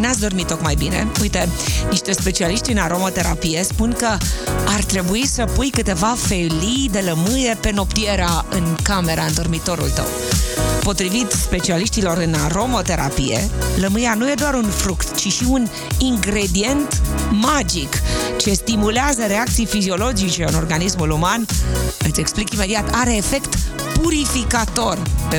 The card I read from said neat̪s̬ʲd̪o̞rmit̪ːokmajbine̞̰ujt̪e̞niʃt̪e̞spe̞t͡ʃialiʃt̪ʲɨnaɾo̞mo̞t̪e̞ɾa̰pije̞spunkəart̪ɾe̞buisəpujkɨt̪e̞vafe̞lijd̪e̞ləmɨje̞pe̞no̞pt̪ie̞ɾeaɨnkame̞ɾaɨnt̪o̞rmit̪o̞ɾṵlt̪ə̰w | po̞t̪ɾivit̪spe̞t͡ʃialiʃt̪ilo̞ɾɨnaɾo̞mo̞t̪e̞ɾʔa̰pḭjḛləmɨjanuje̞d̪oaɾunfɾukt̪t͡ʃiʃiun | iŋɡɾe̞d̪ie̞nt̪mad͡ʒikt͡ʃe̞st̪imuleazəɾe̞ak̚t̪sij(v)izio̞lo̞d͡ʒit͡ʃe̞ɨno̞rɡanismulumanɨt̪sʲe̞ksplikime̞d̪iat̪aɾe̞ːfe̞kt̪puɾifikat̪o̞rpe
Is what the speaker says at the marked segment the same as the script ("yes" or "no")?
no